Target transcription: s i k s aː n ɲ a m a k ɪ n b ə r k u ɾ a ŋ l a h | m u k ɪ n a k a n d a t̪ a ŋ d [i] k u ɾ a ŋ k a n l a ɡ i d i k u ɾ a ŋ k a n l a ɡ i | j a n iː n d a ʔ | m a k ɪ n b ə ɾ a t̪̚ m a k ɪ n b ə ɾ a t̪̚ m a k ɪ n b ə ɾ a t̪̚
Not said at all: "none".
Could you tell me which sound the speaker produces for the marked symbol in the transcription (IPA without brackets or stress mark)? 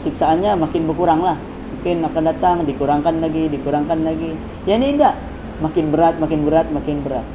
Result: i